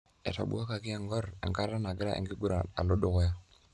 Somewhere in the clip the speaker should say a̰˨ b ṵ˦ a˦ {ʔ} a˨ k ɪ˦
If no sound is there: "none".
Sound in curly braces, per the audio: k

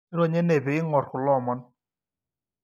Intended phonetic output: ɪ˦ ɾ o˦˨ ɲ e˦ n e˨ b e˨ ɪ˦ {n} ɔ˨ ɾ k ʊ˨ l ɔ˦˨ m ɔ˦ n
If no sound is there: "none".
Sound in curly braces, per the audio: ŋ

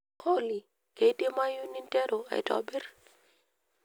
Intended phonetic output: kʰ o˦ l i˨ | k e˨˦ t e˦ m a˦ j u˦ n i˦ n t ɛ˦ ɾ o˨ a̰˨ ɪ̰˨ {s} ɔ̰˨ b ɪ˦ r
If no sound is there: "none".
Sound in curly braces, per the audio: t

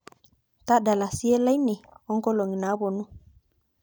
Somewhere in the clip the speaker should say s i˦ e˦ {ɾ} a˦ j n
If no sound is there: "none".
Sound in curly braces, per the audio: l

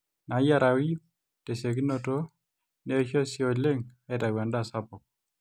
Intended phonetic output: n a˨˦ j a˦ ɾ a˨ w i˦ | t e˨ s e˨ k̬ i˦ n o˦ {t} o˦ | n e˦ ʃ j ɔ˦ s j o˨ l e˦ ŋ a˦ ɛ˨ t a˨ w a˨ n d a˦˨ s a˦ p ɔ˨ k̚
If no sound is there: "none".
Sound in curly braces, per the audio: t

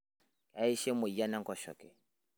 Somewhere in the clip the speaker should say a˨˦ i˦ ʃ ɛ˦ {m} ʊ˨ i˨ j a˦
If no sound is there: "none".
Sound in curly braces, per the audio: m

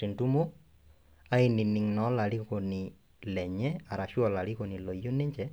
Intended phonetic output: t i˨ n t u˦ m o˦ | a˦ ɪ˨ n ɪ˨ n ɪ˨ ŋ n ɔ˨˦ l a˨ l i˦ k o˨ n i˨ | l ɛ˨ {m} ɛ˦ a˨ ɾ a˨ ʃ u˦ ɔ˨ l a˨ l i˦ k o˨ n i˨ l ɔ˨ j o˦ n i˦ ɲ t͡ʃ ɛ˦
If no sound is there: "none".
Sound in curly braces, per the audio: ɲ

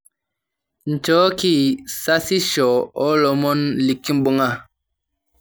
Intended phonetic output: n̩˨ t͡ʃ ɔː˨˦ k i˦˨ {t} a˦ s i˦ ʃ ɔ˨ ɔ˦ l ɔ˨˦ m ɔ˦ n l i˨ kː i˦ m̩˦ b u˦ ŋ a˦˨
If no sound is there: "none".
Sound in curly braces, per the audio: s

